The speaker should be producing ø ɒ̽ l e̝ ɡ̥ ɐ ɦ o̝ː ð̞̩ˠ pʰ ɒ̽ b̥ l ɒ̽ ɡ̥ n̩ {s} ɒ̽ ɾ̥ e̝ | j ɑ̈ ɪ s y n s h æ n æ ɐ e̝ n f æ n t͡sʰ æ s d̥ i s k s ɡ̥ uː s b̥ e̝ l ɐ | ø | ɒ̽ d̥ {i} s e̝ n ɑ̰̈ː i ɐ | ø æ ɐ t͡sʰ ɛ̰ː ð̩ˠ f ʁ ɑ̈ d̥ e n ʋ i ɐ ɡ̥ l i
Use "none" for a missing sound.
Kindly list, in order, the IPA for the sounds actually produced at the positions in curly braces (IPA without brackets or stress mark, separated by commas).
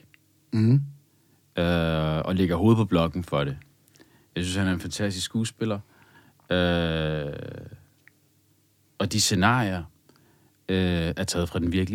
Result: f, i